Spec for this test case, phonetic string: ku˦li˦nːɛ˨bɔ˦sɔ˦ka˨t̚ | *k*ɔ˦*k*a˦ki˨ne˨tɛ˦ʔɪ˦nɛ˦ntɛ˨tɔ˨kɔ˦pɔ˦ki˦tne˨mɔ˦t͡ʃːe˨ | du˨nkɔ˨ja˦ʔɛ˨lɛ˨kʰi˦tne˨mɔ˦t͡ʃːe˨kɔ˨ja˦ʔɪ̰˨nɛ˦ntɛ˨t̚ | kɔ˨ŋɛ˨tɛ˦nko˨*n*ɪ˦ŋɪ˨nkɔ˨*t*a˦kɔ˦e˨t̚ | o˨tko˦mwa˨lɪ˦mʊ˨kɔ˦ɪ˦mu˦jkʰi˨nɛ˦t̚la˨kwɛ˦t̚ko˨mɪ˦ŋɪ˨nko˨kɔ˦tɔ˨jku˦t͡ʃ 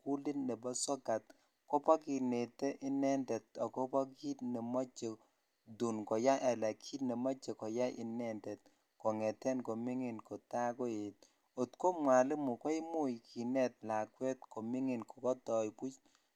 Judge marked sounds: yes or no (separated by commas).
yes, no, no, yes